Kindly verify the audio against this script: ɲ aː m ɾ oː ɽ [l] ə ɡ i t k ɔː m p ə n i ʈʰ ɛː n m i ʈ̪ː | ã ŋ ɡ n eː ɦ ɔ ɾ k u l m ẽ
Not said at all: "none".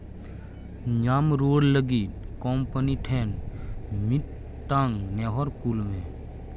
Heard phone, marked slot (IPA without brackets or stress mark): l